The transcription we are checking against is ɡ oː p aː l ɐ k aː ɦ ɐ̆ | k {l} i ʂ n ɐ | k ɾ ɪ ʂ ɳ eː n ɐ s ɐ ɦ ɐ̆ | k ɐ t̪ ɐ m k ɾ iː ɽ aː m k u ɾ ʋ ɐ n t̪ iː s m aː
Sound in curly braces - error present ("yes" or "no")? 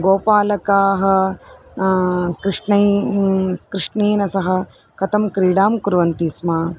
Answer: yes